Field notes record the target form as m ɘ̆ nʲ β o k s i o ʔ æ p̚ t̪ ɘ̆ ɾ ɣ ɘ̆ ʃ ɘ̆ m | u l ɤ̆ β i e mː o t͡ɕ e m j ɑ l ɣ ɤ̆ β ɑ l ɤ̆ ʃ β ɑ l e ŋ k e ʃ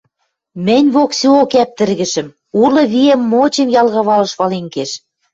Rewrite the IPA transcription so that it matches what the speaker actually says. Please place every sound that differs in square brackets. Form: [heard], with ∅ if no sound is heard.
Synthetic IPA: m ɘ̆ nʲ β o k s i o [k] æ p̚ t̪ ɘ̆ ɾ ɣ ɘ̆ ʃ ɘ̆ m | u l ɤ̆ β i e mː o t͡ɕ e m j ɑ l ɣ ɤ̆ β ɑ l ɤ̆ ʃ β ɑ l e ŋ k e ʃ